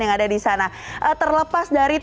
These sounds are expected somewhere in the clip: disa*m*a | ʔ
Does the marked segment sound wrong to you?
yes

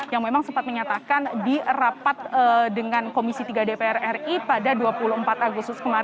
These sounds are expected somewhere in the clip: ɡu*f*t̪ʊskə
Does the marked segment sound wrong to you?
yes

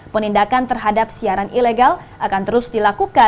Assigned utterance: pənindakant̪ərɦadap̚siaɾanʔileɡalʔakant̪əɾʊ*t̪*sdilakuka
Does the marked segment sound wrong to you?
yes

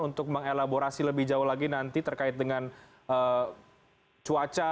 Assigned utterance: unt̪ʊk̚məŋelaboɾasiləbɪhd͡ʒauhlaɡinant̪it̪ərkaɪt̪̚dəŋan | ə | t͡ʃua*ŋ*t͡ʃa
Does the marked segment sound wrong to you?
yes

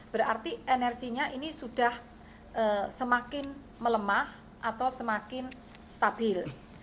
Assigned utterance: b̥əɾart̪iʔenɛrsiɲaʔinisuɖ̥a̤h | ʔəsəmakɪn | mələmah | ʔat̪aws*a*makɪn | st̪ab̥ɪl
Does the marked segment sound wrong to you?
yes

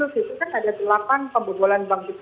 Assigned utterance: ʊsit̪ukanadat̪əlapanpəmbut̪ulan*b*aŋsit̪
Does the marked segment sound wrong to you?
no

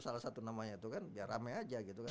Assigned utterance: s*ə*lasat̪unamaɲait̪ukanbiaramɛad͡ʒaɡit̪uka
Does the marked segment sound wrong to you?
yes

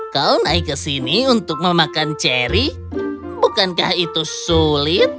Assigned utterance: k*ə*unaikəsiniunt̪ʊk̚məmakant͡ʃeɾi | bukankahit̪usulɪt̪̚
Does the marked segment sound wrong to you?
yes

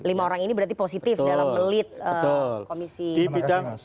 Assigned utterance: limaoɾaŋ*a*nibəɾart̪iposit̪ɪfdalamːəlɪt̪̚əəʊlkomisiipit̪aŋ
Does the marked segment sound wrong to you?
yes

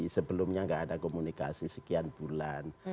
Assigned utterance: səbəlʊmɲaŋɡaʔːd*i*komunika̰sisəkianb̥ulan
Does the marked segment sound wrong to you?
yes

